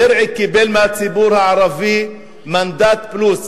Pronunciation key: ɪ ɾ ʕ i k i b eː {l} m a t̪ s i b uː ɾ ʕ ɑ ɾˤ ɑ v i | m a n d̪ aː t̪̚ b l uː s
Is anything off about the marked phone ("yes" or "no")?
no